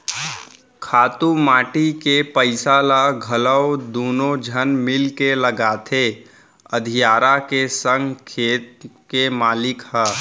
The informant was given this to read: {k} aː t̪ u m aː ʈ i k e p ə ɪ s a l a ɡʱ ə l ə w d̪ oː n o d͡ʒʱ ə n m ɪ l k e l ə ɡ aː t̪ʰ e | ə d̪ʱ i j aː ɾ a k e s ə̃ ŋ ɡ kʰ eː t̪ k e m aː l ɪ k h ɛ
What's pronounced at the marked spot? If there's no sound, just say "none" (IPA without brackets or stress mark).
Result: kʰ